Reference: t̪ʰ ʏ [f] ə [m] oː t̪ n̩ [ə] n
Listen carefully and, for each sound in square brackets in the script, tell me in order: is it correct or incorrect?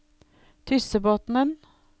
incorrect: s, incorrect: b, correct

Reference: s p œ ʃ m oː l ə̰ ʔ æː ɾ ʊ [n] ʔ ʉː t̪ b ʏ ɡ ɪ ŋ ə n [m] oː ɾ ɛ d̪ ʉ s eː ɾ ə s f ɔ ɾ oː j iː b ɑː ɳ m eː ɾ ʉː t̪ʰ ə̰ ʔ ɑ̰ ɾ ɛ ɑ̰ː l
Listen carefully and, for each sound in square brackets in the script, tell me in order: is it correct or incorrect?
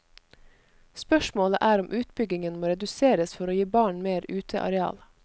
incorrect: m, correct

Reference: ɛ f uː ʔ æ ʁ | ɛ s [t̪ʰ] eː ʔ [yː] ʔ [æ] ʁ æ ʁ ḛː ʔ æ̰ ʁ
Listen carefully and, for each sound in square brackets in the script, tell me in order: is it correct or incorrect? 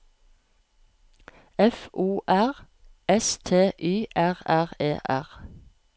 correct, correct, correct

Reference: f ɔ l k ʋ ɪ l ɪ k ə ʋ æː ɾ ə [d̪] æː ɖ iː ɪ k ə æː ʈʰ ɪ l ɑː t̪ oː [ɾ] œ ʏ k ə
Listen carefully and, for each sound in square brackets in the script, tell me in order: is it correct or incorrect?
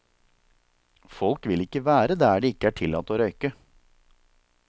correct, correct

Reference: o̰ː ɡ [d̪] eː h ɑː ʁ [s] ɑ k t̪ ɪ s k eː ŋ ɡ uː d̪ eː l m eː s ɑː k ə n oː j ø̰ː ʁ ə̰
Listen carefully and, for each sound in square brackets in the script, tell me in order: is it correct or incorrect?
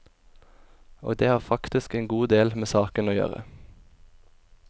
correct, incorrect: f

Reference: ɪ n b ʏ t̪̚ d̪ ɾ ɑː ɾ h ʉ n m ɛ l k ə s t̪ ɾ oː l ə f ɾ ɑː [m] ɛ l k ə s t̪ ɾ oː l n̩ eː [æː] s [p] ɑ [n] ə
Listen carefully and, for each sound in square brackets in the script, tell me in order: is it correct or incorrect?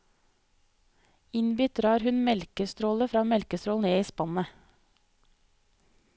correct, incorrect: iː, correct, correct

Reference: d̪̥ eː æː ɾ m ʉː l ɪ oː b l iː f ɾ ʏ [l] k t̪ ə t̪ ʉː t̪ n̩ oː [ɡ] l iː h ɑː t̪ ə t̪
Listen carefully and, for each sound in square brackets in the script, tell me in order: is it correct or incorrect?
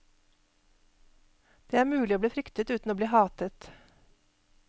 incorrect: none, incorrect: b

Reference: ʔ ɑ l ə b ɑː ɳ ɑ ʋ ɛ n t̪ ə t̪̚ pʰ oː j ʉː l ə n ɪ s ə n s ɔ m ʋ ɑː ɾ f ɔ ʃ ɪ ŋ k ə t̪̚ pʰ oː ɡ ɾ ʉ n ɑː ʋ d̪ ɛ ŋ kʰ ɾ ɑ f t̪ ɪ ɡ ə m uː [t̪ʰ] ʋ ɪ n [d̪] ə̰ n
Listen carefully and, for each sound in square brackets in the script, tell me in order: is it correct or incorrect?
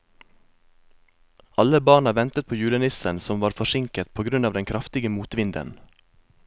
incorrect: t̪, correct

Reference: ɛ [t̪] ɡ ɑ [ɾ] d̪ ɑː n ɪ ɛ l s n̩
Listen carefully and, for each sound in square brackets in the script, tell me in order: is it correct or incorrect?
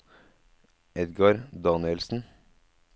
incorrect: d̪, correct

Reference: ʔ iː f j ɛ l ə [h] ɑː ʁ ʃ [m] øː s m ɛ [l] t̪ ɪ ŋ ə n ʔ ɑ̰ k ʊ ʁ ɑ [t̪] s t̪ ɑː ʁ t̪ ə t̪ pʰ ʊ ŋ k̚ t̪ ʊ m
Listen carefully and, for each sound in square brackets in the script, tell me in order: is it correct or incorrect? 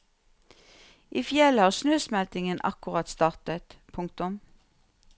correct, incorrect: n, correct, correct

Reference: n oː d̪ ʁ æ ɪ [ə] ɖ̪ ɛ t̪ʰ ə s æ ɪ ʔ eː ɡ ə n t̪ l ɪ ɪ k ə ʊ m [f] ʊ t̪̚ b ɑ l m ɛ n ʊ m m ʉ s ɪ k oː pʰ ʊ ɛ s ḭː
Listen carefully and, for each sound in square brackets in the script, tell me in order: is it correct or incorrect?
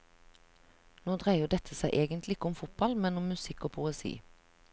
correct, correct

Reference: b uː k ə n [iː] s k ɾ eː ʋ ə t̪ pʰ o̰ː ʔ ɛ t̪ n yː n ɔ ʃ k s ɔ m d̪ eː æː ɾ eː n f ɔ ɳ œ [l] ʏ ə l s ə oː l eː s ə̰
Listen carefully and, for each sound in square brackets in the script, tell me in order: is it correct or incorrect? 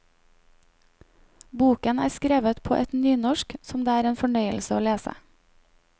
incorrect: æː, incorrect: none

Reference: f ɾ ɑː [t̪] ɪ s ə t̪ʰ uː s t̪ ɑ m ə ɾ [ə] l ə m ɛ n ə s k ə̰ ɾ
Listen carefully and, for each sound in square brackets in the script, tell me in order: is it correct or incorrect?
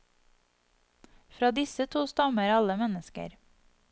incorrect: d̪, incorrect: ɑ

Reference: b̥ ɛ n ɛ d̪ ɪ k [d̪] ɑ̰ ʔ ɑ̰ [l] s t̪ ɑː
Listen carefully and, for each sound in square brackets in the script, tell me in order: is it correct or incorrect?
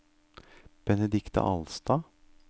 incorrect: t̪, correct

